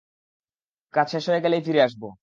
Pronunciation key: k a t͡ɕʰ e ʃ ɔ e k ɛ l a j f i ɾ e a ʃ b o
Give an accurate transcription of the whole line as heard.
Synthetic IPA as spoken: k a t͡ɕʰ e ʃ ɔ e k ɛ l e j f i ɾ e a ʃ b o

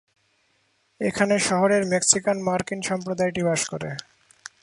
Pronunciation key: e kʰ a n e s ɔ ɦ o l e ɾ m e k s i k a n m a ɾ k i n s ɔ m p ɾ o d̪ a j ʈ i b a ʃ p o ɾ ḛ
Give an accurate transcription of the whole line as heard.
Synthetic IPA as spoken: e kʰ a n e ʃ ɔ ɦ o ɾ e ɾ m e k s i k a n m a ɾ k i n ʃ ɔ m p ɾ o d̪ a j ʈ i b a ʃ k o ɾ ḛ

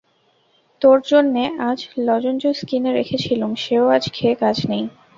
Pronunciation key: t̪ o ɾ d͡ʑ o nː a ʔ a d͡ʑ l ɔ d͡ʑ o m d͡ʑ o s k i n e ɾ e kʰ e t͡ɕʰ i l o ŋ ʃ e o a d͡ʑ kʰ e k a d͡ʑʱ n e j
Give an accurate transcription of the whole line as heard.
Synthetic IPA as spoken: t̪ o ɾ d͡ʑ o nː e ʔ a d͡ʑ l ɔ d͡ʑ o n d͡ʑ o s k i n e ɾ e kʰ e t͡ɕʰ i l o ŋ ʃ e o a d͡ʑ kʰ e k a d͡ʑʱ n e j

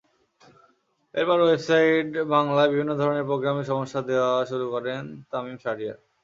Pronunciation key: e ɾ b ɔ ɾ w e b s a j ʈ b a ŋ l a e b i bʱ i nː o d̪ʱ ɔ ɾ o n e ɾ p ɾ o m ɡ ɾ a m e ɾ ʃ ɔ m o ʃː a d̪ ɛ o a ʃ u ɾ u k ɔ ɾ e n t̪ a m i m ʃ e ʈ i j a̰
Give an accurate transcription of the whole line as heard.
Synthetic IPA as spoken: e ɾ p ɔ ɾ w e b s a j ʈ b a ŋ l a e b i bʱ i nː o d̪ʱ ɔ ɾ o n e ɾ p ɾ o ɡ ɾ a m e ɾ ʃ ɔ m o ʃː a d̪ e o a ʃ u ɾ u k ɔ ɾ e n t̪ a m i m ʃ a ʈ i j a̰

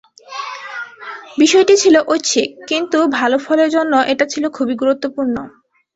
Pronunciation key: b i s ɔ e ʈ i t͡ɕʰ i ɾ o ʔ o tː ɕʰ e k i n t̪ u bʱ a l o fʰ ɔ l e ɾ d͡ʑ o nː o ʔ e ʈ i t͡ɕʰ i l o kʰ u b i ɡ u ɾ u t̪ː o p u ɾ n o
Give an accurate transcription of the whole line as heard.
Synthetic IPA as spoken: b i ʃ ɔ e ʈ i t͡ɕʰ i l o ʔ o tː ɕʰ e k i n t̪ u bʱ a l o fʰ ɔ l e ɾ d͡ʑ o nː o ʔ e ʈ a t͡ɕʰ i l o kʰ u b i ɡ u ɾ u t̪ː o p u ɾ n o

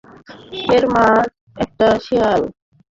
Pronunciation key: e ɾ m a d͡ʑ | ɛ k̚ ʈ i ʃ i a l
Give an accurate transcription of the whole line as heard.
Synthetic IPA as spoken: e ɾ m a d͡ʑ | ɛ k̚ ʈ a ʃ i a l

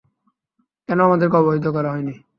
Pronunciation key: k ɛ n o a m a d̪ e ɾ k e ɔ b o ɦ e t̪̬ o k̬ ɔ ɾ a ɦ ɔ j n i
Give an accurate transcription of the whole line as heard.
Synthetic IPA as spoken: k ɛ n o a m a d̪ e ɾ k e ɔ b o ɦ i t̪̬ o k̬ ɔ ɾ a ɦ ɔ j n i

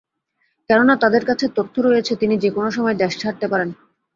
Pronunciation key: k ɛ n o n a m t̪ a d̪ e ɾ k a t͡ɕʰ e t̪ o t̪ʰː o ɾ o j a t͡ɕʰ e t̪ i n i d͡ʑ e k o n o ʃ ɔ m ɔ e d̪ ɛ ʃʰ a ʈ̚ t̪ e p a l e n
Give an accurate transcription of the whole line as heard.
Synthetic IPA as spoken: k ɛ n o n a t̪ a d̪ e ɾ k a t͡ɕʰ e t̪ o t̪ʰː o ɾ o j e t͡ɕʰ e t̪ i n i d͡ʑ e k o n o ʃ ɔ m ɔ e d̪ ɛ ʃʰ a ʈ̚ t̪ e p a ɾ e n

